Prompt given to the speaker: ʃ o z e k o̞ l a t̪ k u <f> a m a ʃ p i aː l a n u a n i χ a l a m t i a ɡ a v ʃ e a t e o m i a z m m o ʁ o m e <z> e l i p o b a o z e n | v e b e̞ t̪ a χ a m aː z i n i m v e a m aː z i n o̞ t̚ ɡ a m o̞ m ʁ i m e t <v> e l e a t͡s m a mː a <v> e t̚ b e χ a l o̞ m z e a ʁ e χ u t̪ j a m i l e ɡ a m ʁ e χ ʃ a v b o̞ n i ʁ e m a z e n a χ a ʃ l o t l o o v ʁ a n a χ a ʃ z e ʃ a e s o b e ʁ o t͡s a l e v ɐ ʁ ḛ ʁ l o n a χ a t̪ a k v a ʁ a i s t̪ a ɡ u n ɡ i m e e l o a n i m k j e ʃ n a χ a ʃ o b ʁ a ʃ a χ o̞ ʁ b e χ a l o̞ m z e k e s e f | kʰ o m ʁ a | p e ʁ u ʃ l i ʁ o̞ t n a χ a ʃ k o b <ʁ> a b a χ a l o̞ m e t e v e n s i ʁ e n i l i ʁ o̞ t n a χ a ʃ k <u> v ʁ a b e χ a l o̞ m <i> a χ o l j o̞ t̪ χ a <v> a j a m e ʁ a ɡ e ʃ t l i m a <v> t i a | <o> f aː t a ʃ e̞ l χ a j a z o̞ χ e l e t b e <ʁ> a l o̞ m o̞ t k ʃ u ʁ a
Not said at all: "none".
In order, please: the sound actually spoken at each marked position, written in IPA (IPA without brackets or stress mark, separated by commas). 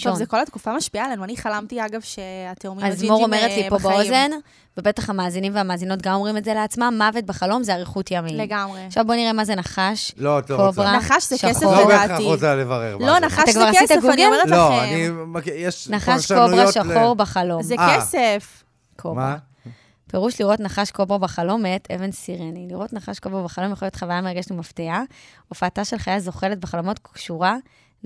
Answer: f, ʁ, z, v, ʁ, o, j, v, f, o, χ